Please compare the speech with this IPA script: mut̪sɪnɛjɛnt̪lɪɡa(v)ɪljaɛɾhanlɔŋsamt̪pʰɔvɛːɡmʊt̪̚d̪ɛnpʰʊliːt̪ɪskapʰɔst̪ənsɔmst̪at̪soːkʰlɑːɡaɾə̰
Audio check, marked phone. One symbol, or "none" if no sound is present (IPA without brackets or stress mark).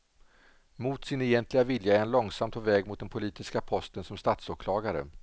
v